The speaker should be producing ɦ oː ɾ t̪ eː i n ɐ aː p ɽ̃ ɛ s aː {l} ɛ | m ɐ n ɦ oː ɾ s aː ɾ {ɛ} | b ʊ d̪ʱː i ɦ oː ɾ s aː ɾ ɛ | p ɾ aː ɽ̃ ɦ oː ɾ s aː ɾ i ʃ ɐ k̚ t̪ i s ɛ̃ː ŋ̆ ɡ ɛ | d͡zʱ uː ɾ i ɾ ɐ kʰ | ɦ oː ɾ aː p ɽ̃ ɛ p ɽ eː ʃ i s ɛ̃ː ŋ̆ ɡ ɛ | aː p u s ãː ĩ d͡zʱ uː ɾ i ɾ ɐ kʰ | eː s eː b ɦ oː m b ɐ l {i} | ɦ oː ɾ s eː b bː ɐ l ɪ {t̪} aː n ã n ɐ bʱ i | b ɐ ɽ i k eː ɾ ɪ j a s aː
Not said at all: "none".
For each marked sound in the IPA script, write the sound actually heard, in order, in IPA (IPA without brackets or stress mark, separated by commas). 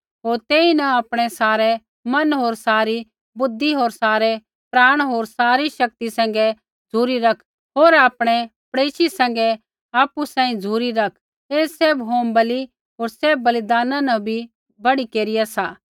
ɾ, i, i, d̪